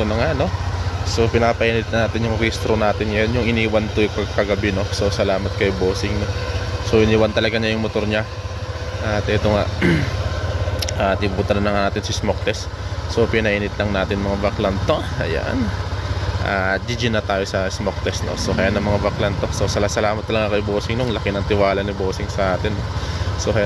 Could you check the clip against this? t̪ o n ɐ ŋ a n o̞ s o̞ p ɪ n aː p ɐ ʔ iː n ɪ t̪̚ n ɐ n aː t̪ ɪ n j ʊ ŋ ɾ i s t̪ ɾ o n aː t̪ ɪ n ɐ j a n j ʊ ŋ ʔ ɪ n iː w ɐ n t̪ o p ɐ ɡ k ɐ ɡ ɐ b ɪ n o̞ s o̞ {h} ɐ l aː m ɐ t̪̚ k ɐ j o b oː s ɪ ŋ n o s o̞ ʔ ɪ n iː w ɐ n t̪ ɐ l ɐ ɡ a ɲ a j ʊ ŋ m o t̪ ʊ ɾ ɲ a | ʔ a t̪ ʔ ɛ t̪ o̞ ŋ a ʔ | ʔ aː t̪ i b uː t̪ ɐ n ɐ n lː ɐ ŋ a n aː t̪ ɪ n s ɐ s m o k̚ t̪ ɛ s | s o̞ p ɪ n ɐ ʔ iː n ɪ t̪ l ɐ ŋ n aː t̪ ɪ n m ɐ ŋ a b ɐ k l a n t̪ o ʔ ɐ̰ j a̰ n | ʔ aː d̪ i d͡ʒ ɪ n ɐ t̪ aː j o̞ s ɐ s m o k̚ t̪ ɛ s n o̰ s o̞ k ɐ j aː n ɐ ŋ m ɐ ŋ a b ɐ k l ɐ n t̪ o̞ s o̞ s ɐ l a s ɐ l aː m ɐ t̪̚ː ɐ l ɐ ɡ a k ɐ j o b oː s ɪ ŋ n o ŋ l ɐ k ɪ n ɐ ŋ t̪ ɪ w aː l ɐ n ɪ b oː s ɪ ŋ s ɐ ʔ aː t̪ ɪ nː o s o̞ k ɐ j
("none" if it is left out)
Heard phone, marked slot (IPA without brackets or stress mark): s